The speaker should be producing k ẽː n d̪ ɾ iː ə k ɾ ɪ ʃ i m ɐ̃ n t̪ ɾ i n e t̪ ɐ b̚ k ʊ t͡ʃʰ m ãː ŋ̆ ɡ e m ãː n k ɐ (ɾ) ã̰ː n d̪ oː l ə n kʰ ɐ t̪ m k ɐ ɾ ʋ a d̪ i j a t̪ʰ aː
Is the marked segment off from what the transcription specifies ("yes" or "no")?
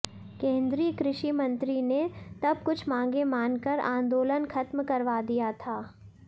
no